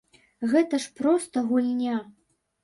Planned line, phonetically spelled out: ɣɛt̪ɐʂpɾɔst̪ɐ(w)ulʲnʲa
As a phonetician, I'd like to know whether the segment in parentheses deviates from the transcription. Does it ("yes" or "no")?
yes